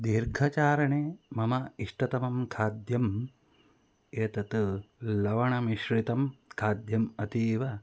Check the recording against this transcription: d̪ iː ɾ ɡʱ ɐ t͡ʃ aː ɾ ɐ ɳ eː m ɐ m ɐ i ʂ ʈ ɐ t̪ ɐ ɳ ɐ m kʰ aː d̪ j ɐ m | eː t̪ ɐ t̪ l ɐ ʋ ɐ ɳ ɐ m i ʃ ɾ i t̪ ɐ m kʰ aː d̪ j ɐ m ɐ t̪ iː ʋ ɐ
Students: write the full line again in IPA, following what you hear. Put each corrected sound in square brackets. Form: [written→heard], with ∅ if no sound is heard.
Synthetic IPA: d̪ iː ɾ ɡʱ ɐ t͡ʃ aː ɾ ɐ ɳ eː m ɐ m ɐ i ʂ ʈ ɐ t̪ ɐ [ɳ→m] ɐ m kʰ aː d̪ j ɐ m | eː t̪ ɐ t̪ l ɐ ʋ ɐ ɳ ɐ m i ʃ ɾ i t̪ ɐ m kʰ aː d̪ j ɐ m ɐ t̪ iː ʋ ɐ